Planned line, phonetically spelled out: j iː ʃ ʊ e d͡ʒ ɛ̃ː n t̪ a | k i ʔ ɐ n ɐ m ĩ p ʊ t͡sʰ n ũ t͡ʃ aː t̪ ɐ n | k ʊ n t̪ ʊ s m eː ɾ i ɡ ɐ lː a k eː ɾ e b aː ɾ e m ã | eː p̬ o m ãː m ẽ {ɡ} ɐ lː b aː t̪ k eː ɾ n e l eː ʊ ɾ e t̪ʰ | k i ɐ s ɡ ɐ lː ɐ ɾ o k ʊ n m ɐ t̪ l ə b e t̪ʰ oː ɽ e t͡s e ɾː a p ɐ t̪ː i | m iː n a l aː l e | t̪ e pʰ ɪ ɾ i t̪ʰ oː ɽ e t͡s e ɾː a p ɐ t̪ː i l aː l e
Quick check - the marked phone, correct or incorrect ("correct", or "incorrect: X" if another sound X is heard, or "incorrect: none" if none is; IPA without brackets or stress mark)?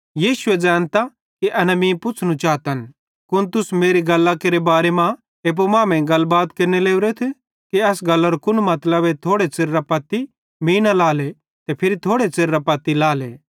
correct